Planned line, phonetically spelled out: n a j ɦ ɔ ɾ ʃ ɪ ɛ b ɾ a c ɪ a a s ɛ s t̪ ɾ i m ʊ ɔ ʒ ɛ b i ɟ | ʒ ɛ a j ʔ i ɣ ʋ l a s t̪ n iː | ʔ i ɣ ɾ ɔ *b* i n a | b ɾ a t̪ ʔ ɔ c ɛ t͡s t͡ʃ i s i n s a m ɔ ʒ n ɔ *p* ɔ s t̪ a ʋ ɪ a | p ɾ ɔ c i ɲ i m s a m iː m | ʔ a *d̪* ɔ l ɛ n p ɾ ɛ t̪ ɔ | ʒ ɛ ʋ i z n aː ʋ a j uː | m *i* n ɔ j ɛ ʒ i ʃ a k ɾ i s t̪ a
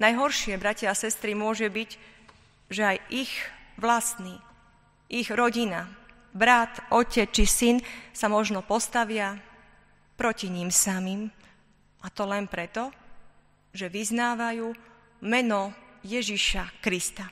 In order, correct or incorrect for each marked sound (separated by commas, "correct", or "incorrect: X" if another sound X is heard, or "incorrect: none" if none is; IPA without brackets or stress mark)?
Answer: incorrect: ɟ, correct, incorrect: t̪, incorrect: ɛ